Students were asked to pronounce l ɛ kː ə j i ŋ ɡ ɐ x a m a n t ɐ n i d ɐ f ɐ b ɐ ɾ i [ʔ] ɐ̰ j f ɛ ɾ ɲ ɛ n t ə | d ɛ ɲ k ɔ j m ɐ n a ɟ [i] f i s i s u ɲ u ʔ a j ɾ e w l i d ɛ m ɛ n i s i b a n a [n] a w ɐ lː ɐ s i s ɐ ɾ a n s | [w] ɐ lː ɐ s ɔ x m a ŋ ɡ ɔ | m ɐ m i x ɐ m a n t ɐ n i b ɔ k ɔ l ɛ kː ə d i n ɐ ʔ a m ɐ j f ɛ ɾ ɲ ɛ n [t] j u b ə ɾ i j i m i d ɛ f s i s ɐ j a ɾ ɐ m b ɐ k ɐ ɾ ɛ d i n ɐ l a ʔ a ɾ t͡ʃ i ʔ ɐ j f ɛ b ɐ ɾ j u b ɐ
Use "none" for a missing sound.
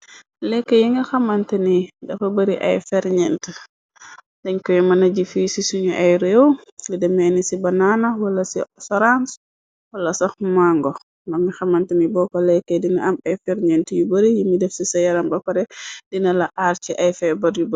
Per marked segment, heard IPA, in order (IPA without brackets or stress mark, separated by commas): ʔ, i, n, w, t